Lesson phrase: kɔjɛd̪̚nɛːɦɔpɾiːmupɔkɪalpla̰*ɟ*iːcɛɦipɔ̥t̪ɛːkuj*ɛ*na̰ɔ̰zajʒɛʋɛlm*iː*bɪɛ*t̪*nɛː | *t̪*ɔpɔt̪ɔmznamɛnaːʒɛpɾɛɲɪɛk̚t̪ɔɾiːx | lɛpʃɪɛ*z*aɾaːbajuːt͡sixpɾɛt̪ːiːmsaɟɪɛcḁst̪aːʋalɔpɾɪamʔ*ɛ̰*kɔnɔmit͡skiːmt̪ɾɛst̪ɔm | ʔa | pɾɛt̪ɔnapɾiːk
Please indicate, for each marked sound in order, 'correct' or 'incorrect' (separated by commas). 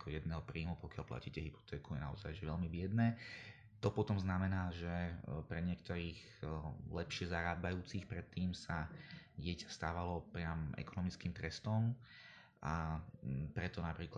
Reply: incorrect, correct, incorrect, incorrect, correct, correct, correct